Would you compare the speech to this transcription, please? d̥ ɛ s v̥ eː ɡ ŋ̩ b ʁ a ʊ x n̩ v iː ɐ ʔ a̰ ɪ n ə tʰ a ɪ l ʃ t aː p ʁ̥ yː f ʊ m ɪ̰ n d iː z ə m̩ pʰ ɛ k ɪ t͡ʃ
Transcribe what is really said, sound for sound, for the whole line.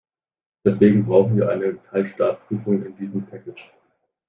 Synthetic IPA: d̥ ɛ s v̥ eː ɡ ŋ̩ b ʁ a ʊ x n̩ v iː ɐ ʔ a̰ ɪ n ə tʰ a ɪ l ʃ t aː p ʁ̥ yː f ʊ ŋ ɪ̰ n d iː z ə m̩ pʰ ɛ k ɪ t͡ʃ